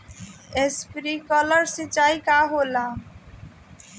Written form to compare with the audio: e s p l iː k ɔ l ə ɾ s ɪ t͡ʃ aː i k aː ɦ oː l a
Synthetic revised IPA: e s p ɾ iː k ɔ l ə ɾ s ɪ t͡ʃ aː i k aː ɦ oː l a